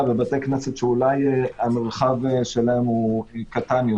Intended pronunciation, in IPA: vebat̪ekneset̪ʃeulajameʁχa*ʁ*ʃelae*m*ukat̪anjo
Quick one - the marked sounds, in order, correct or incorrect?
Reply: incorrect: v, correct

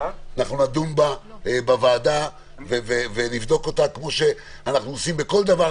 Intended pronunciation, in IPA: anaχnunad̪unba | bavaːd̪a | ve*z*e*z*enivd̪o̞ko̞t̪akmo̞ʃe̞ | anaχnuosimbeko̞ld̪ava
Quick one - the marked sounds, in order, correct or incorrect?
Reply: incorrect: v, incorrect: v

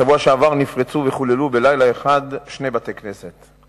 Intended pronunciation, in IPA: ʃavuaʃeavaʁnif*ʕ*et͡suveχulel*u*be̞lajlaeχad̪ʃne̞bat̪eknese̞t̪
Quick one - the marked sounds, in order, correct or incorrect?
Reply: incorrect: ʁ, correct

